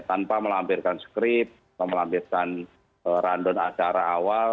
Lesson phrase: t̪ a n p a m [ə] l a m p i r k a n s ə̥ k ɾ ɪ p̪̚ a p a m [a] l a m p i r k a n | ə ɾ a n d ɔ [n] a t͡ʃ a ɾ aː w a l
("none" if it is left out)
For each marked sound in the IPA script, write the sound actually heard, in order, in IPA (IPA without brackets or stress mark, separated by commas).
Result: ə, ə, n